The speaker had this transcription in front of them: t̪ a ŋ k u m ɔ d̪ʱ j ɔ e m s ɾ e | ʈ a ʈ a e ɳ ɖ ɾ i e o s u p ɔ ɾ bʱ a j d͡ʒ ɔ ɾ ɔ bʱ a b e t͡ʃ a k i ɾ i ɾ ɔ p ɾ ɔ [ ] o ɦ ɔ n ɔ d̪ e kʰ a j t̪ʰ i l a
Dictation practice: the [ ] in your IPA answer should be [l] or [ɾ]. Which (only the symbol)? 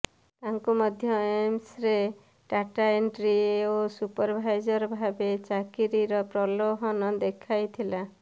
l